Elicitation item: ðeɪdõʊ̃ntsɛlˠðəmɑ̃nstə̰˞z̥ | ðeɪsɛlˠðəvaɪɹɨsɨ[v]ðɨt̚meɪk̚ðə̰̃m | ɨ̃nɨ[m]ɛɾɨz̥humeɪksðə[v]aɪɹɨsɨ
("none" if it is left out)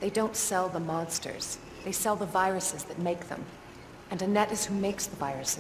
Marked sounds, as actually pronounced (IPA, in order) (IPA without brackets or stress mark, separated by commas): z, n, v